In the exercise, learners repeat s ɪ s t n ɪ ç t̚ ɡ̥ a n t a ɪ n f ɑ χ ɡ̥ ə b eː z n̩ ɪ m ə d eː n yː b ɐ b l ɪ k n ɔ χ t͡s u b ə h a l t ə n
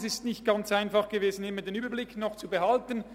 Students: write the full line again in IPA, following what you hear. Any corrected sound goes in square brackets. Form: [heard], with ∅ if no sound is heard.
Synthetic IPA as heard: s ɪ s t n ɪ ç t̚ ɡ̥ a n [t͡s] a ɪ n f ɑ χ ɡ̥ ə [v] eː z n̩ ɪ m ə d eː n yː b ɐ b l ɪ k n ɔ χ t͡s u b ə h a l t ə n